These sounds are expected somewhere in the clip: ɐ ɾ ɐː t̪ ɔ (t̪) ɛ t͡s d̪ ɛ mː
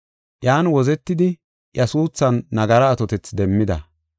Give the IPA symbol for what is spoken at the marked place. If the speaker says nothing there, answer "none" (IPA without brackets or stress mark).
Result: t̪